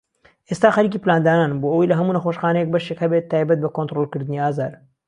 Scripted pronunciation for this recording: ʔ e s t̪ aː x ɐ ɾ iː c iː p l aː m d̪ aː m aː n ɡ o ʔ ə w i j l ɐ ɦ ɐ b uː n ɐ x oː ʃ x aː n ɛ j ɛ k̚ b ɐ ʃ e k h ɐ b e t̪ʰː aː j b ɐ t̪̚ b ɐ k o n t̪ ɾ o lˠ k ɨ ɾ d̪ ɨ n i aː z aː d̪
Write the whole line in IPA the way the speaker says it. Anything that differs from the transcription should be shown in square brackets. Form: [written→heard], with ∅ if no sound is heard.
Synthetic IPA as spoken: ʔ e s t̪ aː x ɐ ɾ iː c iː p l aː [m→n] d̪ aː [m→n] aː n [ɡ→b] o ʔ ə w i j l ɐ ɦ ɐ [b→m] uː n ɐ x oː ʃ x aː n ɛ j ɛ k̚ b ɐ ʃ e k h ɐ b e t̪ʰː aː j b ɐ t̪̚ b ɐ k o n t̪ ɾ o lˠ k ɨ ɾ d̪ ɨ n i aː z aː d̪